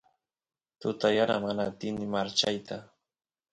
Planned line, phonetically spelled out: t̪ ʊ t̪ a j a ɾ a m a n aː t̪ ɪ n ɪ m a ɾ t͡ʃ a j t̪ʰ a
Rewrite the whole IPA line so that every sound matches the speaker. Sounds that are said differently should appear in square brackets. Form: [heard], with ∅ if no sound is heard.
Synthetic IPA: t̪ ʊ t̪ a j a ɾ a m a n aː t̪ ɪ n ɪ m a ɾ t͡ʃ a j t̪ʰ a